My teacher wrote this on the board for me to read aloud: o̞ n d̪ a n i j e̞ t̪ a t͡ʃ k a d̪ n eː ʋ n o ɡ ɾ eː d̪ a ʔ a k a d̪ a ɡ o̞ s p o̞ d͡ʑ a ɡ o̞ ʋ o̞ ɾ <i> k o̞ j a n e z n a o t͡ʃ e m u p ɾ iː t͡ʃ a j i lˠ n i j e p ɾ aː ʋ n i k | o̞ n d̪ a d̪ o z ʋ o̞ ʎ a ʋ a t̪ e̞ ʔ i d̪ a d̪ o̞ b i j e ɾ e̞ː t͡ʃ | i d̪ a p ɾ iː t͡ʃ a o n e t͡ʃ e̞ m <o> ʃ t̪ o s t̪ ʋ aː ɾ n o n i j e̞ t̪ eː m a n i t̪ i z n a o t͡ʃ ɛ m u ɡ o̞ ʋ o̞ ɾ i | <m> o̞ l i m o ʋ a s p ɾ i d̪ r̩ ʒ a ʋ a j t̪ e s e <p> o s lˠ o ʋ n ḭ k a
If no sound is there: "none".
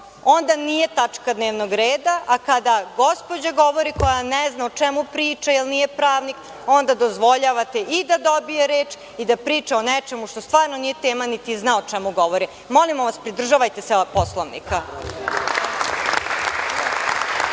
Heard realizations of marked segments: i, u, m, p

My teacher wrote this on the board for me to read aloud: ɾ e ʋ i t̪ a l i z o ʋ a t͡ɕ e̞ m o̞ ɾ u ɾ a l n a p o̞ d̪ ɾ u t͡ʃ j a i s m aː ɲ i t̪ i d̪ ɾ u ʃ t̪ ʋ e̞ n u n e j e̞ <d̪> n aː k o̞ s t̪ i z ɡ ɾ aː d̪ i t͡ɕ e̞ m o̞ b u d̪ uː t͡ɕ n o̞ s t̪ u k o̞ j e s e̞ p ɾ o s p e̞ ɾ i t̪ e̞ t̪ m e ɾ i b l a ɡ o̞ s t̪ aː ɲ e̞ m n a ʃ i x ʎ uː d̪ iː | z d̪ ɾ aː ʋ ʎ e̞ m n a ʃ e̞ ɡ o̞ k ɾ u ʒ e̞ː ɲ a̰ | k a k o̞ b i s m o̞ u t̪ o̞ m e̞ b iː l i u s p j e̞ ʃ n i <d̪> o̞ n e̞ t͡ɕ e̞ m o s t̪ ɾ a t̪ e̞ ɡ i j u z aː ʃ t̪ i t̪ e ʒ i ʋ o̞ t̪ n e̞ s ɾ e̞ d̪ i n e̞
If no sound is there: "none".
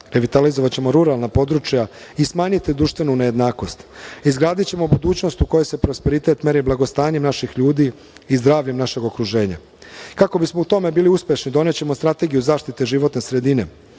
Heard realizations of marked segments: d̪, d̪

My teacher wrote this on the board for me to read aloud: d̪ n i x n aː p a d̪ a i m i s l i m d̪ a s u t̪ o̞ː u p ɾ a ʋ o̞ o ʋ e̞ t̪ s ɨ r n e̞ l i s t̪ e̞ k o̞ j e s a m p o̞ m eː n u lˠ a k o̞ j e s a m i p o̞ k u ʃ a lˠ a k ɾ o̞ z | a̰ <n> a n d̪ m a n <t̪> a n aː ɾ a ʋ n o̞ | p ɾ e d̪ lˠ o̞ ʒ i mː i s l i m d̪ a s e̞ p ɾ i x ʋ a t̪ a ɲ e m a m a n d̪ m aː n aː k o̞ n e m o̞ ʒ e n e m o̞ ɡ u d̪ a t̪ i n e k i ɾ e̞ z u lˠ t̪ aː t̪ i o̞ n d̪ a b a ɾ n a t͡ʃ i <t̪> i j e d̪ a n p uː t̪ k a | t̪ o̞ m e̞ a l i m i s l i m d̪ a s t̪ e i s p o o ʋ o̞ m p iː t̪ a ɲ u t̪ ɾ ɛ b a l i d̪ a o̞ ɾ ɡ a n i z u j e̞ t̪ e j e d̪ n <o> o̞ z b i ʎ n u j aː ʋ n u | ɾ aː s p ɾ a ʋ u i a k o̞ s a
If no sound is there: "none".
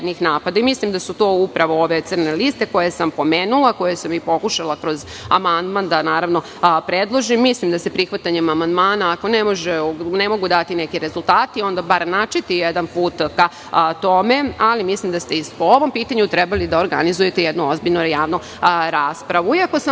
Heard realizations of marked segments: m, d̪, t̪, u

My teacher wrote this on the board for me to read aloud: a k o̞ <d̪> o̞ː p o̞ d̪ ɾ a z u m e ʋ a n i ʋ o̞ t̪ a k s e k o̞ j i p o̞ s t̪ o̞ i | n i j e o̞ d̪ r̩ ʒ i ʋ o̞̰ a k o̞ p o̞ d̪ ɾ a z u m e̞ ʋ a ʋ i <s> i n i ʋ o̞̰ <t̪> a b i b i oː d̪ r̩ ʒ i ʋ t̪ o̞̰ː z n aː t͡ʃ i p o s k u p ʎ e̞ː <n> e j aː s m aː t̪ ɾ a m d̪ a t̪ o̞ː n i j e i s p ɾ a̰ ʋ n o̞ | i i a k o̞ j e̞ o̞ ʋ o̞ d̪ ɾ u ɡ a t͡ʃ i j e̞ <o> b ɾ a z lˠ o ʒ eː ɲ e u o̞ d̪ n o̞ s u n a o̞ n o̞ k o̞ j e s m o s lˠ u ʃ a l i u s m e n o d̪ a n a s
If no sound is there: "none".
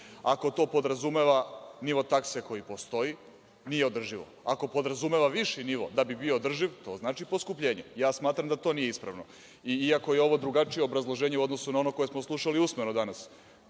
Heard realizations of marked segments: t̪, ʃ, d̪, ɲ, o

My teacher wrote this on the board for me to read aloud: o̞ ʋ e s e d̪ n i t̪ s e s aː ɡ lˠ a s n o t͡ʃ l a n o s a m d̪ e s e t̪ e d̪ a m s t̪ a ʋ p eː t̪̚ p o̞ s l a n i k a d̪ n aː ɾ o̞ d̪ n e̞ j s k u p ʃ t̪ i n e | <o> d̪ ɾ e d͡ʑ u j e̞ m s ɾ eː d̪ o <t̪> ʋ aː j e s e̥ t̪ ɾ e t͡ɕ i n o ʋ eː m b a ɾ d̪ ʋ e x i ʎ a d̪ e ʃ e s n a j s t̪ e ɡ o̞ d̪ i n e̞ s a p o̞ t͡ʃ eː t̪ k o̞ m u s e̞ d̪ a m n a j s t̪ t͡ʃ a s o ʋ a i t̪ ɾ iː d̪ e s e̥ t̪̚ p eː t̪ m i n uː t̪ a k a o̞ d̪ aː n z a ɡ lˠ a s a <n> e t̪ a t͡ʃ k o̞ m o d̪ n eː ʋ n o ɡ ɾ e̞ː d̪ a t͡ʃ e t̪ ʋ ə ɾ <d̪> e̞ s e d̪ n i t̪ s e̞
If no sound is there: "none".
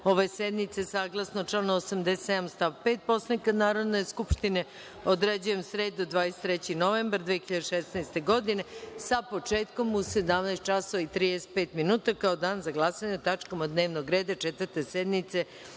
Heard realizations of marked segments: o, d̪, ɲ, t̪

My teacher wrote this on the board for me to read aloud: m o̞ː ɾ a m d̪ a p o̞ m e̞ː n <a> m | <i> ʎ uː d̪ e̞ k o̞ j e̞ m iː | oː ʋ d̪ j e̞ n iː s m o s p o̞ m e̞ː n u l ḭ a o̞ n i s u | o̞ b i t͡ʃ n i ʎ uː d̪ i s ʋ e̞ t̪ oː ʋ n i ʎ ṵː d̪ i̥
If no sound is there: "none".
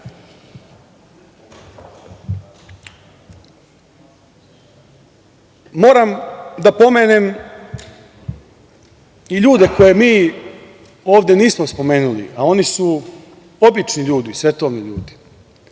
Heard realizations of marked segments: e, i

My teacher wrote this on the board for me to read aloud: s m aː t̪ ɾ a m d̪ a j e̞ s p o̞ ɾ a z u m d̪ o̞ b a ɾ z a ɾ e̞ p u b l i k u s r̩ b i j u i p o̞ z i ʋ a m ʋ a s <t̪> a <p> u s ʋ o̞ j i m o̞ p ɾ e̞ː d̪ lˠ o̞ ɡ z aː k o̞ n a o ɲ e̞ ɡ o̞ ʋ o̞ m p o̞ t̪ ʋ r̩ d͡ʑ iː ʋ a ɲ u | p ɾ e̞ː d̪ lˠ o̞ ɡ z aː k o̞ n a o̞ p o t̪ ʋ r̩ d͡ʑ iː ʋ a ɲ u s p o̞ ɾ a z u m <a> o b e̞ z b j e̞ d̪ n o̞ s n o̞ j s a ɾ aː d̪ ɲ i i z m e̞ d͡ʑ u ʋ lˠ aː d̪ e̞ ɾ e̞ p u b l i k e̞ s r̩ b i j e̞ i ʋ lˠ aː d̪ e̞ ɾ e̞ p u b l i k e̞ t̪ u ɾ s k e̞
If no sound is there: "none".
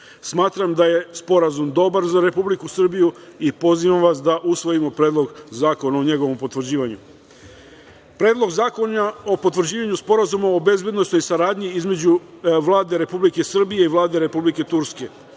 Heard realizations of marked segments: d̪, ʔ, a

